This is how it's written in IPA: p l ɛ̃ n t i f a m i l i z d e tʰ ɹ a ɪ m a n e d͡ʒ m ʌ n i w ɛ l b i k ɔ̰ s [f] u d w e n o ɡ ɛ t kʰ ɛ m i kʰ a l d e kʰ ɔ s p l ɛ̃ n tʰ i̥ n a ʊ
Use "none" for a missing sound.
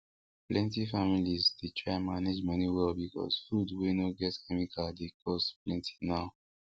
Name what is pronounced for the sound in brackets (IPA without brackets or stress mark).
f